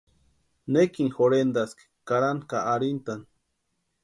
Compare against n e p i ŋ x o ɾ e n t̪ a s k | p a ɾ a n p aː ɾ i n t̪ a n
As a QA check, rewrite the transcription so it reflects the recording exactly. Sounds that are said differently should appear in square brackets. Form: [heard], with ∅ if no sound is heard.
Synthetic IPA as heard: n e [k] i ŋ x o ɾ e n [d̪] a s k | [k] a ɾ a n [k] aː ɾ i n t̪ a n